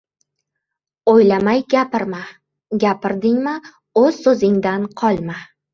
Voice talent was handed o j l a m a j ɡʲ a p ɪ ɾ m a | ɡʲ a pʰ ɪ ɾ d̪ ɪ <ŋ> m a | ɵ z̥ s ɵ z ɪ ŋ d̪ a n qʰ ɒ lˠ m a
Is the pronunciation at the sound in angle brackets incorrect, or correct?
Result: correct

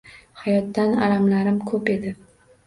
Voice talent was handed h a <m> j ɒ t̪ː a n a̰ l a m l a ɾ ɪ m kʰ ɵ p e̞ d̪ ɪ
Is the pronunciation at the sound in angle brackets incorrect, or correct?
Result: incorrect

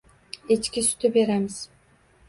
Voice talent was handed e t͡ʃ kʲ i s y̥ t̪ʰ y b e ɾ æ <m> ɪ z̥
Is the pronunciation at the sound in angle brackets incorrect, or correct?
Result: correct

